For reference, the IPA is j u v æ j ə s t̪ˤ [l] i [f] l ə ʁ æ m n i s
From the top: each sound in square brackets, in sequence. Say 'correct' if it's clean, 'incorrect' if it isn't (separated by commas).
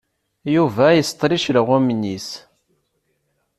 incorrect, incorrect